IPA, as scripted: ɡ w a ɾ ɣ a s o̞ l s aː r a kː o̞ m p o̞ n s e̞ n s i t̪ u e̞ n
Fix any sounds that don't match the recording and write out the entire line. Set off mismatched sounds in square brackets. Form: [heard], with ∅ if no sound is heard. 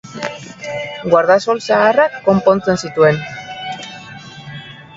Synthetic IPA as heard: ɡ w a ɾ [ð] a s o̞ l s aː r a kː o̞ m p o̞ n [t͡s] e̞ n s i t̪ u e̞ n